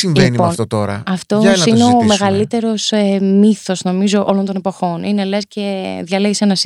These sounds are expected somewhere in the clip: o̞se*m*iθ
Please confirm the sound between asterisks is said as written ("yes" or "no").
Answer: yes